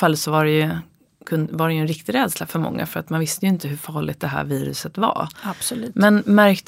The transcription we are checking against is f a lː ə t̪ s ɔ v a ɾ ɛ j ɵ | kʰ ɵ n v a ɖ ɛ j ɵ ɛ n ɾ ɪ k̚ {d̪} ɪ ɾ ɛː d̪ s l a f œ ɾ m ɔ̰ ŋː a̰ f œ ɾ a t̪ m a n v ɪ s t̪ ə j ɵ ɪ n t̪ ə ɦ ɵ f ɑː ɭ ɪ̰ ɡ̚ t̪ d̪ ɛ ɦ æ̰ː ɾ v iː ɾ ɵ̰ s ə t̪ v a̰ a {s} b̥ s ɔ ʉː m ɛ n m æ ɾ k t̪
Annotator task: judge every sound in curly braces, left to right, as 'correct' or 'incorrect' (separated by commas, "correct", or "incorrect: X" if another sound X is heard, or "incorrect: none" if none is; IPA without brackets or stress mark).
incorrect: t̪, incorrect: none